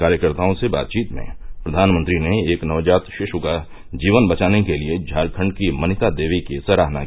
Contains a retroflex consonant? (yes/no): yes